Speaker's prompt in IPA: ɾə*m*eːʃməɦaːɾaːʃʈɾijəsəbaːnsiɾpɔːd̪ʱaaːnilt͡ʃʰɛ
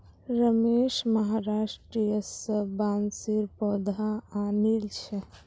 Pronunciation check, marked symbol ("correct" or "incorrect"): correct